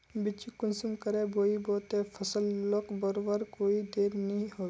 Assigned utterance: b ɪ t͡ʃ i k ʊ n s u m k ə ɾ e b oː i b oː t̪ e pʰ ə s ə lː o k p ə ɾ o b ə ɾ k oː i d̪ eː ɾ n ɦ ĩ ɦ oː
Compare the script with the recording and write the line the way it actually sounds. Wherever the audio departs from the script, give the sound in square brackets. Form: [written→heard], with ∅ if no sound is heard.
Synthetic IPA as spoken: b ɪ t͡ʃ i k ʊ n s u m k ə ɾ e b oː i b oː t̪ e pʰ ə s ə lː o k [p→b] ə ɾ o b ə ɾ k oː i d̪ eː ɾ n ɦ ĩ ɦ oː